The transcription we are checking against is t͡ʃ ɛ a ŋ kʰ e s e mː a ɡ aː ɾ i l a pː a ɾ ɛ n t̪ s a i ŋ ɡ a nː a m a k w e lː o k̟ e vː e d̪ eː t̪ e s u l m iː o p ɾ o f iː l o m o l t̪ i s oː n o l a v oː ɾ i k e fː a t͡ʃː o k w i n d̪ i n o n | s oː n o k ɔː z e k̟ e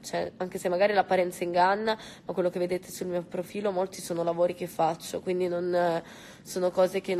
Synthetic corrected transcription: t͡ʃ ɛ a ŋ k e s e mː a ɡ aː ɾ i l a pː a ɾ ɛ n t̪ s a i ŋ ɡ a nː a m a k w e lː o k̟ e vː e d̪ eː t̪ e s u l m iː o p ɾ o f iː l o m o l t̪ i s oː n o l a v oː ɾ i k e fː a t͡ʃː o k w i n d̪ i n o n | s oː n o k ɔː z e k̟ e